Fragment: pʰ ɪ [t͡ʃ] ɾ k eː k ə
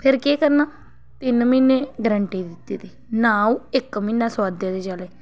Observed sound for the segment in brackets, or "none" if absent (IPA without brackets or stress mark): none